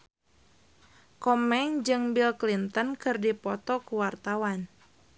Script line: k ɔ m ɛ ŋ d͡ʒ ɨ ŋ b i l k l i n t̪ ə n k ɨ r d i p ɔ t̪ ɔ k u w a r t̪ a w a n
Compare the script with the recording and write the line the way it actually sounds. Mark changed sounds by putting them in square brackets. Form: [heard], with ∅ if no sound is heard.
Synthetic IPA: k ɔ m ɛ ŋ d͡ʒ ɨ ŋ b i l k l i n t̪ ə n k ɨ r d i p ɔ t̪ ɔ k u w a r t̪ a w a n